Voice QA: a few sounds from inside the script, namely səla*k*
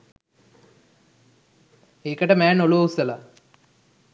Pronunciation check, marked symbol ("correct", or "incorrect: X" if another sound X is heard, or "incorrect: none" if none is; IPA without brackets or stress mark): incorrect: none